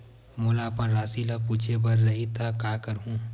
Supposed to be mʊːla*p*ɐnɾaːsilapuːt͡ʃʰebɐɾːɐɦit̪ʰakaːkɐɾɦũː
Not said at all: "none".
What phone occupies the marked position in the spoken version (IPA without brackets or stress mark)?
p